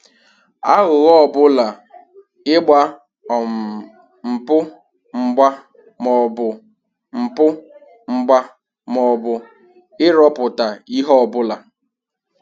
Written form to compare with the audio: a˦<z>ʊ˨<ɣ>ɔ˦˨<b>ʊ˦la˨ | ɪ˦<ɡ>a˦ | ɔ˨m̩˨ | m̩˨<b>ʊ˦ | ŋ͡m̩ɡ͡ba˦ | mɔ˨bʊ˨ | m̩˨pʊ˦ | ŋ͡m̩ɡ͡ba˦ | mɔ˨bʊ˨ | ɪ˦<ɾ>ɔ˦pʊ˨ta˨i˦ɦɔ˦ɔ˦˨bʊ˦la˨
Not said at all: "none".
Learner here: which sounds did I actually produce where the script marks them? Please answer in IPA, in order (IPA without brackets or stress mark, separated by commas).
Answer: ɣ, ɣ, b, ɡ͡b, p, ɾ